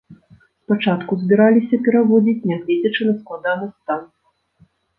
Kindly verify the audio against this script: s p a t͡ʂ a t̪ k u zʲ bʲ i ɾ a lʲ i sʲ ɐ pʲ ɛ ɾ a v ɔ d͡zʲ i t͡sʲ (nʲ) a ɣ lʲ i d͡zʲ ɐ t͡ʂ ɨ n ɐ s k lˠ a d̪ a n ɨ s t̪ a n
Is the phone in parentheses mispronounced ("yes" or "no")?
no